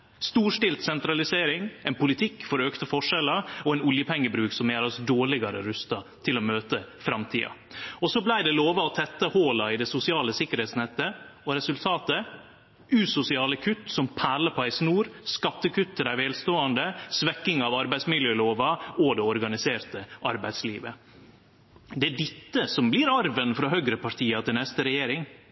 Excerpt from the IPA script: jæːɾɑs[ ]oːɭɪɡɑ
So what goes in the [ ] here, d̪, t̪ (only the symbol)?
d̪